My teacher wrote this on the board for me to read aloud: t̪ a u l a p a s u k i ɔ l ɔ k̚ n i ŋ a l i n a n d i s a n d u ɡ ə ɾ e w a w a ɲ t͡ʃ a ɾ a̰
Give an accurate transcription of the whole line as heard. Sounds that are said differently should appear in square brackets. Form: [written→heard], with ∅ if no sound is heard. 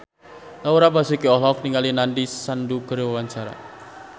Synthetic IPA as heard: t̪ a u [l→ɾ] a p a s u k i ɔ l ɔ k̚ n i ŋ a l i n a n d i s a n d u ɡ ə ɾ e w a w a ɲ t͡ʃ a ɾ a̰